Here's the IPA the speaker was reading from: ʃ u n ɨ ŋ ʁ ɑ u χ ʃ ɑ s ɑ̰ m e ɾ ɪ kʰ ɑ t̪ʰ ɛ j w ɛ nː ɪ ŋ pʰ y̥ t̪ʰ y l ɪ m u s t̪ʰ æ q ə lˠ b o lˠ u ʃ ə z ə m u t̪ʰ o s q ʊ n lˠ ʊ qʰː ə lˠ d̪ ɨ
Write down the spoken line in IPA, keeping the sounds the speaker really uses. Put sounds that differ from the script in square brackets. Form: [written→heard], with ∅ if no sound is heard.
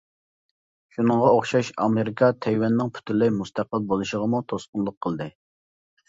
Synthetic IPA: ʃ u n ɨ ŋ ʁ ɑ [u→o] χ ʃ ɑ [s→ʃ] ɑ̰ m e ɾ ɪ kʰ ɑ t̪ʰ ɛ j w ɛ nː ɪ ŋ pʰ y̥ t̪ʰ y l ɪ m u s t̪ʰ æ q ə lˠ b o lˠ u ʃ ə [z→ʁ] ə m u t̪ʰ o s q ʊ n lˠ ʊ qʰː ə lˠ d̪ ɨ